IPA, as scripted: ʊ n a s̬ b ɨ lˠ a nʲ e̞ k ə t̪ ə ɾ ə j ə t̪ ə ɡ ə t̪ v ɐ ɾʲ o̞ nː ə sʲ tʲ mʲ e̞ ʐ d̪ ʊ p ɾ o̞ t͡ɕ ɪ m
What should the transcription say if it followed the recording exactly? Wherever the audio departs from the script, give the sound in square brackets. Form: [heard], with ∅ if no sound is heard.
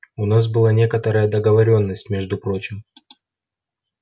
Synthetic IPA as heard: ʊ n a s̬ b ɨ lˠ a nʲ e̞ k ə t̪ ə ɾ ə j ə [d̪] ə ɡ ə [∅] v ɐ ɾʲ o̞ nː ə sʲ tʲ mʲ e̞ ʐ d̪ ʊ p ɾ o̞ t͡ɕ ɪ m